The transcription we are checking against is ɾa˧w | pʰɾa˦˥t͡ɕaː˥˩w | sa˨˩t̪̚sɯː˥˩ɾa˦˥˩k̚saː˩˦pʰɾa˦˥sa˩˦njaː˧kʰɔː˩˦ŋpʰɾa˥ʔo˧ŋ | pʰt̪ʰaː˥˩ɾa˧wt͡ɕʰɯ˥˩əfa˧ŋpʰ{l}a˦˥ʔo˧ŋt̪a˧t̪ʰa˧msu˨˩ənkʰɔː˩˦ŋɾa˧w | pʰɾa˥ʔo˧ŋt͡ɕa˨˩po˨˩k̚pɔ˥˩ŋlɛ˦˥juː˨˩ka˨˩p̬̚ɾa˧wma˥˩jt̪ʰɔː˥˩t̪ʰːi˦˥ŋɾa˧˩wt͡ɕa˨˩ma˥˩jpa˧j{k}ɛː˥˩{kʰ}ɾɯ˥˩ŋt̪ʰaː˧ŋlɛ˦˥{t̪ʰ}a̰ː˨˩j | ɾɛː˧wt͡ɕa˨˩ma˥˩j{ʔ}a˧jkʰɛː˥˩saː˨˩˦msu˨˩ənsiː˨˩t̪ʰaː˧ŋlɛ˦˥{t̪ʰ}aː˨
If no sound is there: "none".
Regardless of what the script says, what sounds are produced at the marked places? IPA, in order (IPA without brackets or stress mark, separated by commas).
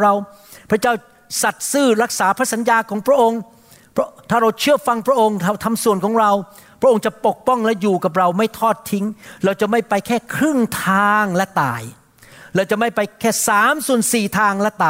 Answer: ɾ, kʰ, kʰ, t̪, p, t̪